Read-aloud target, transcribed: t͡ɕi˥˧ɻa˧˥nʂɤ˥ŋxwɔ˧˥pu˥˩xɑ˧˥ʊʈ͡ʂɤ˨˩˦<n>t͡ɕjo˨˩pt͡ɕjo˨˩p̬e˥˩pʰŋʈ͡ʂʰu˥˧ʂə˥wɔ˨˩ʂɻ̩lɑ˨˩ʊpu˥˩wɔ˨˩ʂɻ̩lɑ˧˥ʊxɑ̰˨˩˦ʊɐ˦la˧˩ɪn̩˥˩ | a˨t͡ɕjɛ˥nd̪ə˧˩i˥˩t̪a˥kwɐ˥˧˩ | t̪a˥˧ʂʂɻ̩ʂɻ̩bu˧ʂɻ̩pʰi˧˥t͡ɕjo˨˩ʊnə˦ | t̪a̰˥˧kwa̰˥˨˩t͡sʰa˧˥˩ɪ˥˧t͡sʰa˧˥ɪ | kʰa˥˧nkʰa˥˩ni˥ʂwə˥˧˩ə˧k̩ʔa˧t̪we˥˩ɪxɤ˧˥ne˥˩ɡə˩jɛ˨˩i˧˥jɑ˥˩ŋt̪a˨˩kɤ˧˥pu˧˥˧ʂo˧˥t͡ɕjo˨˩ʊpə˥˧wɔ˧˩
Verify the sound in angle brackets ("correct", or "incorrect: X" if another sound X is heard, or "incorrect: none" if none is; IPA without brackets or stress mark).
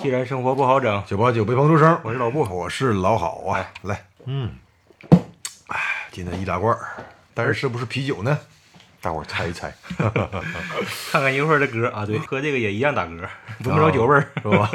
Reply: incorrect: ŋ